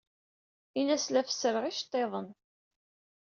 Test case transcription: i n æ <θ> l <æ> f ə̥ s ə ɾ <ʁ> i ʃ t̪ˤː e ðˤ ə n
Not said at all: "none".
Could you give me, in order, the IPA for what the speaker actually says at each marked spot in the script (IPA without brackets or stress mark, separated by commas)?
s, æ, ʁ